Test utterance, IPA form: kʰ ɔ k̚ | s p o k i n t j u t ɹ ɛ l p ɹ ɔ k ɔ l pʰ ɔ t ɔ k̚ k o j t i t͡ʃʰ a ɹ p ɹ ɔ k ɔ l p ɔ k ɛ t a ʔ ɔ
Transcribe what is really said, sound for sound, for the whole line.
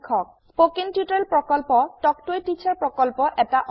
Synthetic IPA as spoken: kʰ ɔ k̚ | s p o k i n t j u t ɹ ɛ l p ɹ ɔ k ɔ l p ɔ t ɔ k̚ t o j t i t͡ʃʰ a ɹ p ɹ ɔ k ɔ l p ɔ ʔ ɛ t a ʔ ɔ